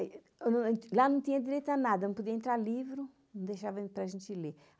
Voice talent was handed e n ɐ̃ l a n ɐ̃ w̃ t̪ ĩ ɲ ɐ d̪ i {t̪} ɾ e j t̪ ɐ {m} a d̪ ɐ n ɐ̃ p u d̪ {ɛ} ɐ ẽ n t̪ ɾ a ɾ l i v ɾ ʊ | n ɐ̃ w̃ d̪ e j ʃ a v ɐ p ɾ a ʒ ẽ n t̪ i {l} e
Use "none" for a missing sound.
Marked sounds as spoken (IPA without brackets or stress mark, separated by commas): none, n, i, l